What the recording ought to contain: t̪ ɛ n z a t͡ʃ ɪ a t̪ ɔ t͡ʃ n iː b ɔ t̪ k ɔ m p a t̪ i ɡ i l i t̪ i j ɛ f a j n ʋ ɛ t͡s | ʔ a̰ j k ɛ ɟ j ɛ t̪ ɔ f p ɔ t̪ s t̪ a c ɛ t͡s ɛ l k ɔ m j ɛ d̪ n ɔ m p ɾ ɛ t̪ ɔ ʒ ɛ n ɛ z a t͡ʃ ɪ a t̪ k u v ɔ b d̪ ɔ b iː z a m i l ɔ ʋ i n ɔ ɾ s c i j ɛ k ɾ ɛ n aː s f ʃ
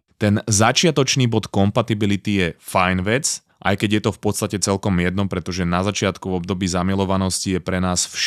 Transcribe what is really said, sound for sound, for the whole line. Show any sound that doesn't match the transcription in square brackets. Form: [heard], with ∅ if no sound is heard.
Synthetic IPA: t̪ ɛ n z a t͡ʃ ɪ a t̪ ɔ t͡ʃ n iː b ɔ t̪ k ɔ m p a t̪ i [b] i l i t̪ i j ɛ f a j n ʋ ɛ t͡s | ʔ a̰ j k ɛ ɟ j ɛ t̪ ɔ f p ɔ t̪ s t̪ a c ɛ t͡s ɛ l k ɔ m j ɛ d̪ n ɔ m p ɾ ɛ t̪ ɔ ʒ ɛ n [a] z a t͡ʃ ɪ a t̪ k u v ɔ b d̪ ɔ b iː z a m i l ɔ ʋ [a] n ɔ [∅] s c i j ɛ [p] ɾ ɛ n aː s f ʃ